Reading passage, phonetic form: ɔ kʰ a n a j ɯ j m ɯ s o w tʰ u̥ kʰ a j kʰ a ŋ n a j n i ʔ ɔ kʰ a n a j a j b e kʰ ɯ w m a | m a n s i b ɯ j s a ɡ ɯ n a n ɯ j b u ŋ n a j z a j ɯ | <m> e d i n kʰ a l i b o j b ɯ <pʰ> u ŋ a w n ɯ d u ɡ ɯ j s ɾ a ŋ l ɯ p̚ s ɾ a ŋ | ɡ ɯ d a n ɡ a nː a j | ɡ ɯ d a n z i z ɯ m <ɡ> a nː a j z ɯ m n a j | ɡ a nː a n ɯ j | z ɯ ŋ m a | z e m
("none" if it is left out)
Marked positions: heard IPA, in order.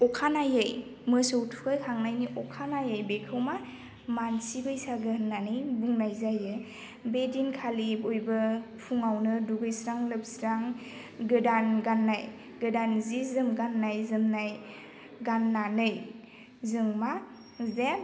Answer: b, pʰ, ɡ

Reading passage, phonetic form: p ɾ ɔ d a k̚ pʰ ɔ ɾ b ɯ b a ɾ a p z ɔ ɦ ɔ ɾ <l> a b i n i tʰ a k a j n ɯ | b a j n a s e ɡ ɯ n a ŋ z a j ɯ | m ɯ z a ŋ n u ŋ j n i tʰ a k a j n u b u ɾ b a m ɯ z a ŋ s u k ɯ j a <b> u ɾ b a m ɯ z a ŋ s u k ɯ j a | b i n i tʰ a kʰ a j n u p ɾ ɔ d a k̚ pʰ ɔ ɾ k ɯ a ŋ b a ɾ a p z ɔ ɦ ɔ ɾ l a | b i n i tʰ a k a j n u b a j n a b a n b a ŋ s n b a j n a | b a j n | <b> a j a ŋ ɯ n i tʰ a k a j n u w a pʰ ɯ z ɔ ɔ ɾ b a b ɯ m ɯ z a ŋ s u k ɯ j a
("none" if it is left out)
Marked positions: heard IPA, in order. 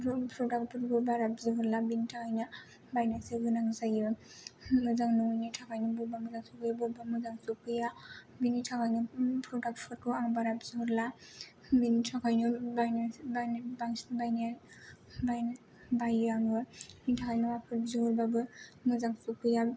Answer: l, b, b

